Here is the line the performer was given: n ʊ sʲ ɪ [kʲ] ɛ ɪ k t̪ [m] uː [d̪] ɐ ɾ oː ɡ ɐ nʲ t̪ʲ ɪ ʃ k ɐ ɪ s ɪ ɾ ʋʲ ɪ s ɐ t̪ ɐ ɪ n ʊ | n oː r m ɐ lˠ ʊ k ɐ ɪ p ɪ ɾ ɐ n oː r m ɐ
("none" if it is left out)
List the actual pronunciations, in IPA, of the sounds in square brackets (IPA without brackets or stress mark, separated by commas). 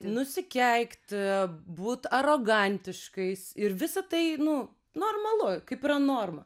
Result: kʲ, b, t̪